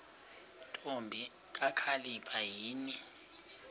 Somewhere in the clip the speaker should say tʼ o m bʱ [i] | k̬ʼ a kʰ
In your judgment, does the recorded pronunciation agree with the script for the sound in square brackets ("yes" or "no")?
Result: yes